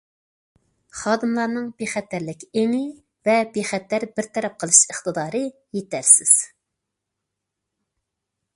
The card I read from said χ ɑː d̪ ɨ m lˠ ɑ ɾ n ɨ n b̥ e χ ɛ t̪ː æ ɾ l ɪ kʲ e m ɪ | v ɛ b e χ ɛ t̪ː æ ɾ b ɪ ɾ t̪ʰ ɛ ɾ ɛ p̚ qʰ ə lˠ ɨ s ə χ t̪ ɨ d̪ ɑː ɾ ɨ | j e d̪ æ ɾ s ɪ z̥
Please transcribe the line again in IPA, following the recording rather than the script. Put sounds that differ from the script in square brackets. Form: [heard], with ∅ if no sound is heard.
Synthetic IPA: χ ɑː d̪ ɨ m lˠ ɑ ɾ n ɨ [ŋ] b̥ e χ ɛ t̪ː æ ɾ l ɪ kʲ e [ŋ] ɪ | v ɛ b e χ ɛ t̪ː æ ɾ b ɪ ɾ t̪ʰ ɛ ɾ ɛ p̚ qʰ ə lˠ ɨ [ʃ] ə χ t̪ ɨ d̪ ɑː ɾ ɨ | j e [t̪] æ ɾ s ɪ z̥